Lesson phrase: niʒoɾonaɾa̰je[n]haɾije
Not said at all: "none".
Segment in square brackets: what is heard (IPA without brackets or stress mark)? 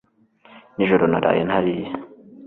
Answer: n